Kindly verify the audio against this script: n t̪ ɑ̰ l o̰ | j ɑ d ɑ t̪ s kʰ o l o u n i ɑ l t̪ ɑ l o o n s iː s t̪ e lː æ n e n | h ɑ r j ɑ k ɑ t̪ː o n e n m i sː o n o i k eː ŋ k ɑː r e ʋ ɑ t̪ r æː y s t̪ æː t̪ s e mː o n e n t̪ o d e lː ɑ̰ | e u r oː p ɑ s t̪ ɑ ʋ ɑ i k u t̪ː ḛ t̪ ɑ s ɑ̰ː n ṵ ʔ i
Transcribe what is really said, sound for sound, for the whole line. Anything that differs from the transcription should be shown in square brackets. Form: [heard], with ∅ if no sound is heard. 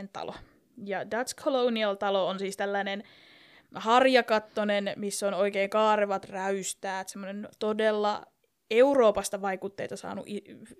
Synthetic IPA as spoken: n t̪ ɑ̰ l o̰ | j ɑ d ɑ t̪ s kʰ o l o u n i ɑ l t̪ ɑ l o o n s iː s t̪ [æ] lː æ n e n | h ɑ r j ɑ k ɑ t̪ː o n e n m i sː o n o i k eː ŋ k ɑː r e ʋ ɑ t̪ r [æ] y s t̪ æː t̪ s e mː o n e n t̪ o d e lː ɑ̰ | e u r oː p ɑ s t̪ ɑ ʋ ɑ i k u t̪ː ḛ t̪ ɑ s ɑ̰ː n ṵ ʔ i